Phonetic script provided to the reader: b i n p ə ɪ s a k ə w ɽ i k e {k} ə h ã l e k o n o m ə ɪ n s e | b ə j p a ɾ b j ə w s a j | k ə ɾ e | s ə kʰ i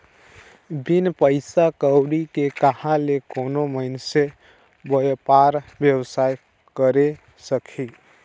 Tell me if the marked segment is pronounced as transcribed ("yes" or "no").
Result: yes